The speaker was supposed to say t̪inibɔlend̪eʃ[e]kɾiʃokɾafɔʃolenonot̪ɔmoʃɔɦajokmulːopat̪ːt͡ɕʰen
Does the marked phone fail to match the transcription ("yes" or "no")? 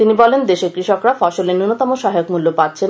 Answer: no